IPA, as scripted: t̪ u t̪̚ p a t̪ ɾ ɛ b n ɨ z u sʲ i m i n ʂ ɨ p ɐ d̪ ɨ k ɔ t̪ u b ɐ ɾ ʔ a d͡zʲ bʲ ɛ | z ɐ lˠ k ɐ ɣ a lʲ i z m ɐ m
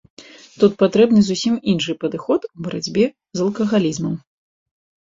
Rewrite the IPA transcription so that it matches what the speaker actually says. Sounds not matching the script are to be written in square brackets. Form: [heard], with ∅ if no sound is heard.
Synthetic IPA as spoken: t̪ u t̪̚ p a t̪ ɾ ɛ b n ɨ z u sʲ i m i n ʂ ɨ p ɐ d̪ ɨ [x] ɔ t̪ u b ɐ ɾ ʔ a d͡zʲ bʲ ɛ | z ɐ lˠ k ɐ ɣ a lʲ i z m ɐ m